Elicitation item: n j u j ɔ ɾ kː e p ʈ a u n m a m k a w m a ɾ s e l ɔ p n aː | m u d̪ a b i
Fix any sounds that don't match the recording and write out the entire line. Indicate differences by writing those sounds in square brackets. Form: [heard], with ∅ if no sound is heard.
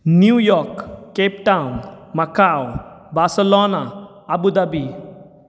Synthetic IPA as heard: n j u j ɔ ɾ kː e p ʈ a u n m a [∅] k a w [b] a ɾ s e l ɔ [∅] n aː | [b] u d̪ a b i